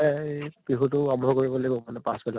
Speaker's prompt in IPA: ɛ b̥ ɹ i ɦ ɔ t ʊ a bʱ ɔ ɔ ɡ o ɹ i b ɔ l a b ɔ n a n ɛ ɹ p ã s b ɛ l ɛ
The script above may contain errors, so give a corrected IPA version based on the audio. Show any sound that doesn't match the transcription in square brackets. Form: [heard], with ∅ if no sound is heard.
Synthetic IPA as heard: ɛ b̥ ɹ i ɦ [u] t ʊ a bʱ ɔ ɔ [k] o ɹ i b ɔ l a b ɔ [m] a n ɛ [∅] p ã s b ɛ l [a]